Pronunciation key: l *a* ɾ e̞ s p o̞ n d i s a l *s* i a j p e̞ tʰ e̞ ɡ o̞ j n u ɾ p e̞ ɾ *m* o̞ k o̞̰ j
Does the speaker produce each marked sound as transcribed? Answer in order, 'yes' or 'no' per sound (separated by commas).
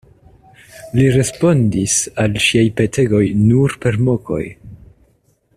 no, no, yes